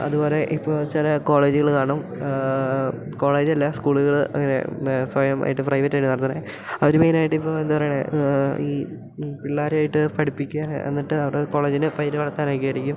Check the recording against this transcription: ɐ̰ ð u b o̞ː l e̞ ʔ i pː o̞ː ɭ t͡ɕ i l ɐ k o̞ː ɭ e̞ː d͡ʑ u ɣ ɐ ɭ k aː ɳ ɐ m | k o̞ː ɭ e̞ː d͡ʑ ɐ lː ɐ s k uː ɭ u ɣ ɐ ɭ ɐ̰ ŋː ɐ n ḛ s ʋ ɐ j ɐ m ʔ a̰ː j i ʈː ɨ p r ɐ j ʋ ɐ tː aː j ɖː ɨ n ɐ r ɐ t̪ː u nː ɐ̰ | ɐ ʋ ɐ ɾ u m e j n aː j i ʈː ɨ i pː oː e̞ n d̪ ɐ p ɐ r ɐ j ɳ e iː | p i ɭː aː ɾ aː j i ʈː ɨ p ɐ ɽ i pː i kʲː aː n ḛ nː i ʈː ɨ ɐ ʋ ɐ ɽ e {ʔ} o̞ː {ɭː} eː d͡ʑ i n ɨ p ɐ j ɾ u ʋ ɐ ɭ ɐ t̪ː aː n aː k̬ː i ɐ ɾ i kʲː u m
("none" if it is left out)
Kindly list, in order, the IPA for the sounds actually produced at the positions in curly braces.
k, ɭ

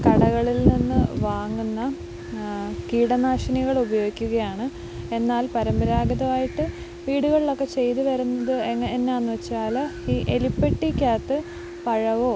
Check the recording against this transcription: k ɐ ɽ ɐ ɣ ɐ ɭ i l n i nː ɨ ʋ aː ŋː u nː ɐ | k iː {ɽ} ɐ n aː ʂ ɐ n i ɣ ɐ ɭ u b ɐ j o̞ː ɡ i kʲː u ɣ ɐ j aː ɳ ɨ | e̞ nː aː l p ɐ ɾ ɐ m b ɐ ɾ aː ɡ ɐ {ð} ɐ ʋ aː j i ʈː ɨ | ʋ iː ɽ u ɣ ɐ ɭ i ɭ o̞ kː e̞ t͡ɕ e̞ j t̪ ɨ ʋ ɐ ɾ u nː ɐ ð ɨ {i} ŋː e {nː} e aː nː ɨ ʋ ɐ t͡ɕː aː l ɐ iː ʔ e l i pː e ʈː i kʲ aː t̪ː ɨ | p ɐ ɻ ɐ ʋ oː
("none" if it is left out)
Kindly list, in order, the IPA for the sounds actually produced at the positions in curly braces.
ɽ, ð, e, nː

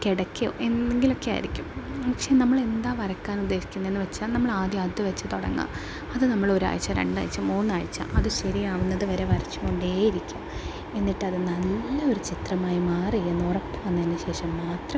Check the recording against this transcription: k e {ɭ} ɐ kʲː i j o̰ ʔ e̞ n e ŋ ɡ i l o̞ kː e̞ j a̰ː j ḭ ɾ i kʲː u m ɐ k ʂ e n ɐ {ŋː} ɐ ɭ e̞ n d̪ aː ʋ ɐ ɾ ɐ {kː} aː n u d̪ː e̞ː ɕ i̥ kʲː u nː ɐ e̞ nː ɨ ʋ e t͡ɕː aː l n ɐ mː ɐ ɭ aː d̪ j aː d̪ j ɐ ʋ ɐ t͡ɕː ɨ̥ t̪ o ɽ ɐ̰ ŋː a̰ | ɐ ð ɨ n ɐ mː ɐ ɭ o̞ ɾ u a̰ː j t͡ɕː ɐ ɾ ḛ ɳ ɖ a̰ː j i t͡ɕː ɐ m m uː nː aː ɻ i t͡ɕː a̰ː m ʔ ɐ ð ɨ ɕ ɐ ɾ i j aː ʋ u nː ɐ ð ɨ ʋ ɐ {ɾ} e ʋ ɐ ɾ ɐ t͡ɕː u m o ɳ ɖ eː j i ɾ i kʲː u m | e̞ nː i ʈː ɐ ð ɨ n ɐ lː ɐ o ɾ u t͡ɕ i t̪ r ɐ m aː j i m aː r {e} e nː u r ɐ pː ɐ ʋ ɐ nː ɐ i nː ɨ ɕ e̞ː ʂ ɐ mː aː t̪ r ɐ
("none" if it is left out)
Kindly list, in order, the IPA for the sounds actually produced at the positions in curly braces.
ɽ, mː, kː, ɾ, i

